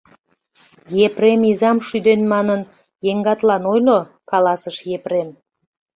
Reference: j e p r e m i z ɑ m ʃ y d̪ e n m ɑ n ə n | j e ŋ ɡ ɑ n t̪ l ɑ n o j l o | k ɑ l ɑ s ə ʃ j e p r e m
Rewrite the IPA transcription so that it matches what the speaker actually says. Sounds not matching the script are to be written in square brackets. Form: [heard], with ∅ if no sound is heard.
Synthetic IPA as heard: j e p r e m i z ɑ m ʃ y d̪ e n m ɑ n ə n | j e ŋ ɡ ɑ [∅] t̪ l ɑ n o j l o | k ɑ l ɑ s ə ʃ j e p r e m